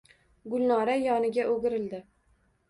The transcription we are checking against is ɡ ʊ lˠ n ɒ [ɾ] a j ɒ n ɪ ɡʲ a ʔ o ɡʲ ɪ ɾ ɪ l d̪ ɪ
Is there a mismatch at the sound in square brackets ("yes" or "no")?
no